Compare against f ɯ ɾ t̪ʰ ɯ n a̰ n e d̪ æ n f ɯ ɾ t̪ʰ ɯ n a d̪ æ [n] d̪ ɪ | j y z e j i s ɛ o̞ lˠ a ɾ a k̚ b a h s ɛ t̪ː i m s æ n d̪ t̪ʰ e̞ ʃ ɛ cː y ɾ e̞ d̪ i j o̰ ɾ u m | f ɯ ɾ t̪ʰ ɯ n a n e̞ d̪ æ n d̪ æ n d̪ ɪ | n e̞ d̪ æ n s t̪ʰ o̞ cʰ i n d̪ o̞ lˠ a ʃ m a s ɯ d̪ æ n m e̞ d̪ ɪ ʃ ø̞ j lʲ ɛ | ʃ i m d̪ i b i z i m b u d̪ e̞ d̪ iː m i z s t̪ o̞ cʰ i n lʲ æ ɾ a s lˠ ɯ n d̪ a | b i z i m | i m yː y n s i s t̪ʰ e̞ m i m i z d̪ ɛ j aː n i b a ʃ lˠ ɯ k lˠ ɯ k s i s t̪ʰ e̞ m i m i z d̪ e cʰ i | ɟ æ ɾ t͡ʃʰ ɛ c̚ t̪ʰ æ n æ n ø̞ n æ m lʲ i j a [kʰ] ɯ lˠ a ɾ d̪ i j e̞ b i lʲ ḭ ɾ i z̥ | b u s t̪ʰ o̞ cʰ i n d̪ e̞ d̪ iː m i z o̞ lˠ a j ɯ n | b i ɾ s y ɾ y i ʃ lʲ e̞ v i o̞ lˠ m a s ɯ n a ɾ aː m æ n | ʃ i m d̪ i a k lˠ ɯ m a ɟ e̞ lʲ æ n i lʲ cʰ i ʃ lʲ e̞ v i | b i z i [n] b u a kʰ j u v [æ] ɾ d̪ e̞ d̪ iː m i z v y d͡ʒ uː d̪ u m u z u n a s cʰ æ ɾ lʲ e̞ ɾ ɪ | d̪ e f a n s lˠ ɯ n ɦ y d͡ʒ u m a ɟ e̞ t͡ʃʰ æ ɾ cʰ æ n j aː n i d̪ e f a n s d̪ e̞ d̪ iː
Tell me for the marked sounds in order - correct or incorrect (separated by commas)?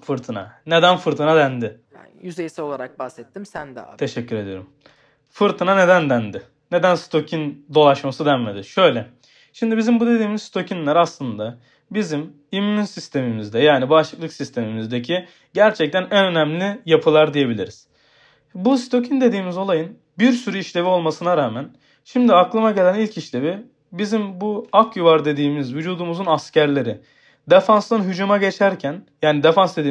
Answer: correct, incorrect, incorrect, incorrect